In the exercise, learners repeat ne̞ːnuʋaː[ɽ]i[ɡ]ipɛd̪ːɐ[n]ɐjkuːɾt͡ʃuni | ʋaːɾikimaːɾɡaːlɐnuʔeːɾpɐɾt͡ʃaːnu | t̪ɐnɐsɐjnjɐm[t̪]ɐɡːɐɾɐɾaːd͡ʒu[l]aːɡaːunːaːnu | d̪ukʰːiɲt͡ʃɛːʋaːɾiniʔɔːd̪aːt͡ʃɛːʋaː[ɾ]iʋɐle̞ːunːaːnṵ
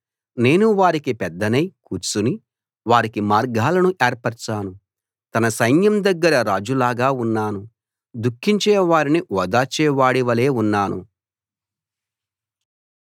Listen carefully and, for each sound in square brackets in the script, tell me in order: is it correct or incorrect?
incorrect, incorrect, correct, incorrect, correct, incorrect

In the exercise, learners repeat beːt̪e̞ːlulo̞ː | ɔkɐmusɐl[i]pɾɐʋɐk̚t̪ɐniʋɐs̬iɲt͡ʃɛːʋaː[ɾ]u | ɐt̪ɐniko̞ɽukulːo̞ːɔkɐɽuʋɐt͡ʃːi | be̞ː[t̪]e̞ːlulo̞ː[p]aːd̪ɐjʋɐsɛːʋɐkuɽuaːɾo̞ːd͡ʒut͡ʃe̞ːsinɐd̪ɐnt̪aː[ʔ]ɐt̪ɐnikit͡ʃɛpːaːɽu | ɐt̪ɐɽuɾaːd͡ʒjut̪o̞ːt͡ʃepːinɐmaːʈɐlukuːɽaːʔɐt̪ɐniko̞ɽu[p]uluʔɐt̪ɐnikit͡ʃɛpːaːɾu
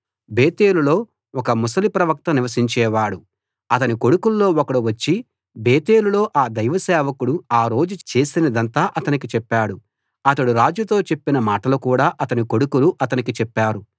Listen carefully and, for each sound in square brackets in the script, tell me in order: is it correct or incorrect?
correct, incorrect, correct, incorrect, correct, incorrect

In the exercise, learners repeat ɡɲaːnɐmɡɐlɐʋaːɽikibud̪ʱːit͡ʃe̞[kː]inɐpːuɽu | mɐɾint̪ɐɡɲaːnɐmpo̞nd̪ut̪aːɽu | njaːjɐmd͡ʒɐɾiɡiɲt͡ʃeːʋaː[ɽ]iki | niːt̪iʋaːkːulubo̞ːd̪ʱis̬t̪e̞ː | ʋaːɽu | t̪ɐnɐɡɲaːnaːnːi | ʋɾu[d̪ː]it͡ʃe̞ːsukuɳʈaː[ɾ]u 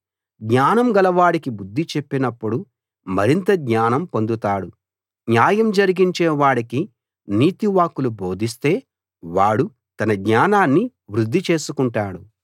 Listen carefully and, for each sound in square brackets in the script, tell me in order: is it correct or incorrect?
incorrect, correct, correct, incorrect

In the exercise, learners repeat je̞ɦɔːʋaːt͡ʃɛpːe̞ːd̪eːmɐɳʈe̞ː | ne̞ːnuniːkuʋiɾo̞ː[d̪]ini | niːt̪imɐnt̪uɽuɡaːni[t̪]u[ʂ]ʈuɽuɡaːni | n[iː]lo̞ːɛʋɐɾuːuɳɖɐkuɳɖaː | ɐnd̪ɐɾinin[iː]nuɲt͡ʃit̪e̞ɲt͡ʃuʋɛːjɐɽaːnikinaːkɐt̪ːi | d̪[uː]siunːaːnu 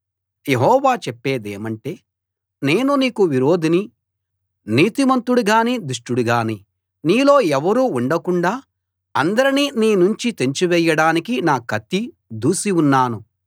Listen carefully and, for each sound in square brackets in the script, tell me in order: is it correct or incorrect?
correct, incorrect, correct, correct, correct, correct

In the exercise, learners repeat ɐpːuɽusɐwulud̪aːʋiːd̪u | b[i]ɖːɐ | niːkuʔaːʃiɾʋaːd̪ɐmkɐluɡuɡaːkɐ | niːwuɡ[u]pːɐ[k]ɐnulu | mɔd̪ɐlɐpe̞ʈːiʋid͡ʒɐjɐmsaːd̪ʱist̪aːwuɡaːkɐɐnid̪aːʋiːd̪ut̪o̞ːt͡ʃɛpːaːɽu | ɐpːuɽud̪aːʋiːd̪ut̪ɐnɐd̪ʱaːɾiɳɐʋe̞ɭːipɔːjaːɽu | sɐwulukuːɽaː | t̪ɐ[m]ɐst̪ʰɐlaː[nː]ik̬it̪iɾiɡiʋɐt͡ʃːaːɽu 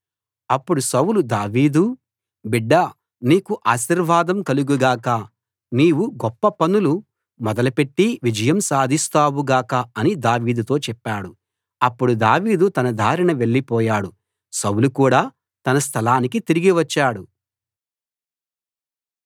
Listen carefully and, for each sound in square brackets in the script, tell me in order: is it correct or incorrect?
correct, incorrect, incorrect, incorrect, incorrect

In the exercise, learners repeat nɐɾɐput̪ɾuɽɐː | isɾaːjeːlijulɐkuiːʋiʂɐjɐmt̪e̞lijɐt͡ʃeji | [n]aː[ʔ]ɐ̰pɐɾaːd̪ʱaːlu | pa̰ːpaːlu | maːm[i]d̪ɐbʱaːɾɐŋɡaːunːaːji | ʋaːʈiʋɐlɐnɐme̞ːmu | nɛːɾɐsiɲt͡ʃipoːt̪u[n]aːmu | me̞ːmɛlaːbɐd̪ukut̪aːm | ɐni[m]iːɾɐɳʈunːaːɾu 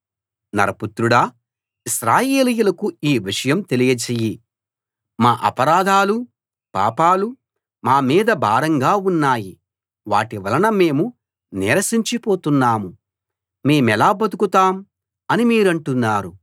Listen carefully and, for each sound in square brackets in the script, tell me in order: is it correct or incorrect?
incorrect, correct, incorrect, incorrect, correct

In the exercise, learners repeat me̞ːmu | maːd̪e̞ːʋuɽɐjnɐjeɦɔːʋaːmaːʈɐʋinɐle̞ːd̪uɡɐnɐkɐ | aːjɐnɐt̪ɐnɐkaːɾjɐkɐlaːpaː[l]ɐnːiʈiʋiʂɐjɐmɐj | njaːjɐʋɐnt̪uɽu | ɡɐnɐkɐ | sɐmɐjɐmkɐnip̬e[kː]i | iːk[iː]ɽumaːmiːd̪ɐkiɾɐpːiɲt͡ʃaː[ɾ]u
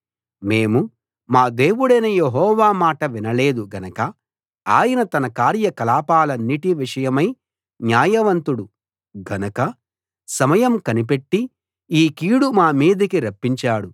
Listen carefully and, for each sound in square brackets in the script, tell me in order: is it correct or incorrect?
correct, incorrect, correct, incorrect

